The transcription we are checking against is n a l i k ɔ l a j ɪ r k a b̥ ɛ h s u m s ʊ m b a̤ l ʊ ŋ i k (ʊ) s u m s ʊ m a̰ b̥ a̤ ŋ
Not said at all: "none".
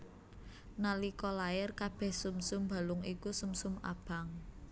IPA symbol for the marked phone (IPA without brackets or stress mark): u